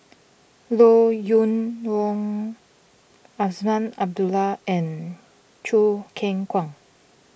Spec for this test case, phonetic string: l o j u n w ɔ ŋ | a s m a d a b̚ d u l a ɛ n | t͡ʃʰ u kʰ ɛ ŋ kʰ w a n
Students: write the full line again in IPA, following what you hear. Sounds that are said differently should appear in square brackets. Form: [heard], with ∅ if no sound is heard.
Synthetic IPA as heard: l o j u n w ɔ ŋ | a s m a [n] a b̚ d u l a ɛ n | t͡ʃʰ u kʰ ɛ ŋ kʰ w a [ŋ]